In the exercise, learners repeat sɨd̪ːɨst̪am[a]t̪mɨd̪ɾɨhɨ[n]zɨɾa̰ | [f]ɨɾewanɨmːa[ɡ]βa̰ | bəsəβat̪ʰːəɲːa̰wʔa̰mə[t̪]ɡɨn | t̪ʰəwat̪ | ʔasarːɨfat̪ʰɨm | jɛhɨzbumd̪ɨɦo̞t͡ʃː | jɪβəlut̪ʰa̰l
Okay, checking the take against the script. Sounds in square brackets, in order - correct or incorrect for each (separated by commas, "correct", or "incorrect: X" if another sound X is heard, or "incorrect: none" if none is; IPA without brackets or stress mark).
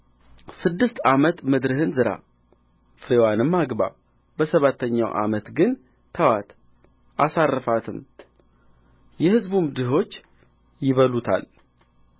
incorrect: ə, correct, correct, correct, correct